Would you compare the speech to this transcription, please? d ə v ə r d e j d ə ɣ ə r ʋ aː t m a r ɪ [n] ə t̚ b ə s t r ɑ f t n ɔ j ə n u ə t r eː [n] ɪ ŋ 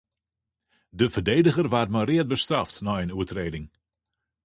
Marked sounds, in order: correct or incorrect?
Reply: incorrect, incorrect

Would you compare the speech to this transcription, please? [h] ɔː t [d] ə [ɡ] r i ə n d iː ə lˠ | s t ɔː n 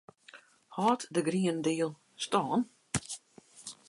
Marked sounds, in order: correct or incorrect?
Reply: correct, correct, correct

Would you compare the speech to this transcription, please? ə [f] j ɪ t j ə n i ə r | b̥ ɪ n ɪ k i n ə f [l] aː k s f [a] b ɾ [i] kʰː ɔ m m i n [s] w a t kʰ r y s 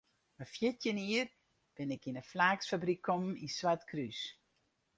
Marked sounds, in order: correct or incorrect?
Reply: correct, correct, correct, correct, correct

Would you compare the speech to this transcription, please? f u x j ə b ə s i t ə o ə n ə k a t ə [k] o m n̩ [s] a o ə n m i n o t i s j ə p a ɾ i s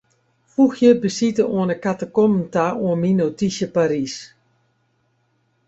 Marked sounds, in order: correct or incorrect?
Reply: correct, incorrect

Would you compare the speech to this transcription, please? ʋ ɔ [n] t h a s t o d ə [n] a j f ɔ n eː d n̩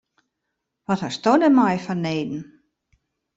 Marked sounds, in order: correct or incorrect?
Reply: incorrect, incorrect

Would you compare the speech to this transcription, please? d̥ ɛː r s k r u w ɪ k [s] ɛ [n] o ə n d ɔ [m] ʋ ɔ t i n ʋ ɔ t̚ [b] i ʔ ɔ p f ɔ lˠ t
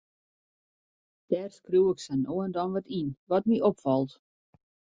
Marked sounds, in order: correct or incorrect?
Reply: correct, correct, incorrect, incorrect

